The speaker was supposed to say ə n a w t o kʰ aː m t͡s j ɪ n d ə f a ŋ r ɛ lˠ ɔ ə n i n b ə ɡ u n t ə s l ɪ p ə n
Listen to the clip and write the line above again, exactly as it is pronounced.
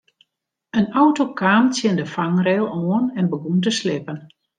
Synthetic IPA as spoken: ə n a w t o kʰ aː m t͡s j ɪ n d ə f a ŋ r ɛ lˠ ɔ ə n ɛ n b ə ɡ u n t ə s l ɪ p ə n